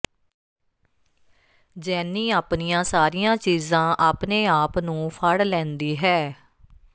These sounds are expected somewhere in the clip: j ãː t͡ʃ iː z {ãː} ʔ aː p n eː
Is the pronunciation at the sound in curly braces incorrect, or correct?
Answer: correct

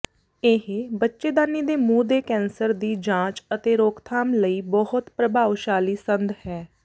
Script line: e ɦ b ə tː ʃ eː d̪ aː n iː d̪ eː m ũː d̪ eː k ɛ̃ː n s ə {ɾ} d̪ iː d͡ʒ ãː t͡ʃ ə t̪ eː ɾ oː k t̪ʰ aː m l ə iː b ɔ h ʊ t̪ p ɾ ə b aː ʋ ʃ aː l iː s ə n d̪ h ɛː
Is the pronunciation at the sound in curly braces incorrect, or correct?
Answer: correct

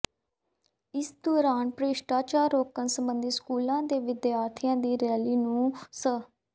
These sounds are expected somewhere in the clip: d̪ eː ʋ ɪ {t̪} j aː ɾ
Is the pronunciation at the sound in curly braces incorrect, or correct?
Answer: incorrect: d̪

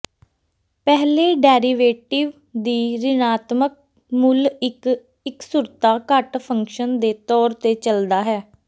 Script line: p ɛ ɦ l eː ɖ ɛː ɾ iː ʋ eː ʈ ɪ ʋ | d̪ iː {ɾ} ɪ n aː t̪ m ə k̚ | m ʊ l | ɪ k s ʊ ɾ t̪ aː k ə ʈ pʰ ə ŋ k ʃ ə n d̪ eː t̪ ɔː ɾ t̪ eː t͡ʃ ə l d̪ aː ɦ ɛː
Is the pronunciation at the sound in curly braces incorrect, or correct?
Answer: correct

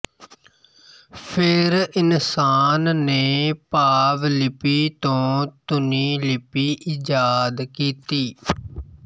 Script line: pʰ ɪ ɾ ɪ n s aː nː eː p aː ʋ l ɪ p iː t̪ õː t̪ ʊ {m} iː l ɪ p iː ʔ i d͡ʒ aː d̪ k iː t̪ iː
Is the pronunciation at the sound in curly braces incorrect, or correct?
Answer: incorrect: n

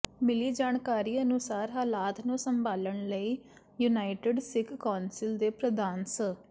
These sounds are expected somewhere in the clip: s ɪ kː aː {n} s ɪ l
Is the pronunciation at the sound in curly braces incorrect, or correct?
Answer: correct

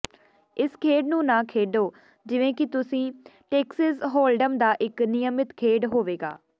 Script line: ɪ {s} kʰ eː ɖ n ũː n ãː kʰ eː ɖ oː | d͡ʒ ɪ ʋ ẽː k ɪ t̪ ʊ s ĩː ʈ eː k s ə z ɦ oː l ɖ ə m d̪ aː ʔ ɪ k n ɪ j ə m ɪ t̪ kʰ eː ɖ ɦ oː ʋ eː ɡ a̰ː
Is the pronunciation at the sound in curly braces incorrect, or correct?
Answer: correct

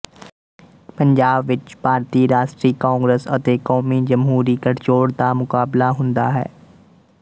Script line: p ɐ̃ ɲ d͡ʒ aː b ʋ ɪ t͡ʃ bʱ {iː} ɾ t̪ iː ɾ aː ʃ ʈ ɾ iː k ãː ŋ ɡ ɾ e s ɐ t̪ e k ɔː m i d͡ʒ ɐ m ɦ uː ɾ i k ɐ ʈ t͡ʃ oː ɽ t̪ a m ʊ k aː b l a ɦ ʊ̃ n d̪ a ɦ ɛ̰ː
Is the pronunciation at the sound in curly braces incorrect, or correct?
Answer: incorrect: aː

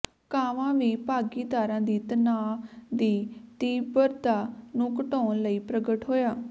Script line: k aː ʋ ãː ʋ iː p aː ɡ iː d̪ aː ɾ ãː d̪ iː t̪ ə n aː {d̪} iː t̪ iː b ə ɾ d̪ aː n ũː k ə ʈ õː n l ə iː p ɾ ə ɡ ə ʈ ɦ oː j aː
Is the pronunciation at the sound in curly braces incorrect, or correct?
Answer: correct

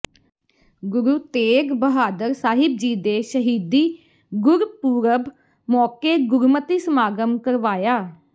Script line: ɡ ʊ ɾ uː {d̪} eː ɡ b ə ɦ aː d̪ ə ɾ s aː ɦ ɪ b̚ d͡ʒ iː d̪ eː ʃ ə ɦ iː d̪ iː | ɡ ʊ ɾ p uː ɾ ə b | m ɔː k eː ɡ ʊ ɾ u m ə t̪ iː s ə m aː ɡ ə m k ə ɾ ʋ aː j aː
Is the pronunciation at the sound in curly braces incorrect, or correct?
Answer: incorrect: t̪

